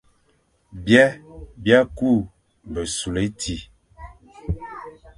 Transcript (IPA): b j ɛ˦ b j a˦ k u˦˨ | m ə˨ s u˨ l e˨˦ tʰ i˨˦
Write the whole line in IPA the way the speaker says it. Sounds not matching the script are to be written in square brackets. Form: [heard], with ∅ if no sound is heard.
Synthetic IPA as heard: b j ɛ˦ b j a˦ k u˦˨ | [b] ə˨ s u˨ l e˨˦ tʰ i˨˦